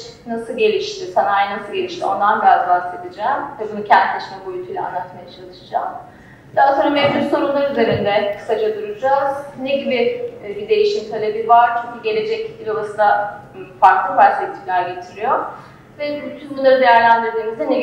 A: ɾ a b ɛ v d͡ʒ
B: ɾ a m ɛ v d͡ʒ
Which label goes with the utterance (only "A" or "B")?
B